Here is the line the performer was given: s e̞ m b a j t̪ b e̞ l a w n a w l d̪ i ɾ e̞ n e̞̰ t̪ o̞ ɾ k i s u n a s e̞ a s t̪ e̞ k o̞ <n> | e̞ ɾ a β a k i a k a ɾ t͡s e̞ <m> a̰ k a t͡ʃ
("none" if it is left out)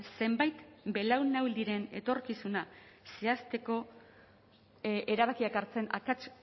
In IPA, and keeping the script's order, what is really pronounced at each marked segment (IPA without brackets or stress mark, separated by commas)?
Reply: none, n